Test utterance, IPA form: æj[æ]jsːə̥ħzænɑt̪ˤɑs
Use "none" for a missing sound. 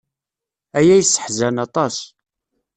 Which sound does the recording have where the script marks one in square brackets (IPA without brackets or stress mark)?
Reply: æ